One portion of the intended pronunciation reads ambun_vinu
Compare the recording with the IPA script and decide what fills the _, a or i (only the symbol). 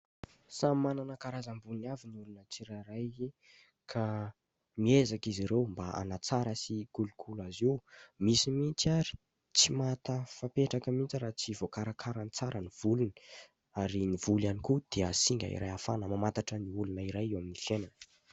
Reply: a